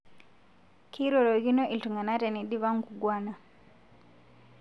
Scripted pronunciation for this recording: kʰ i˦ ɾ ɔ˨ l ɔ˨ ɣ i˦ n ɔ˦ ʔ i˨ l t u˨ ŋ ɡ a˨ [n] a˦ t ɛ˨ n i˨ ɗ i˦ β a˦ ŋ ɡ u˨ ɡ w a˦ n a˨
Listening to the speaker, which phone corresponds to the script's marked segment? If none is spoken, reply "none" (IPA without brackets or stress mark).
n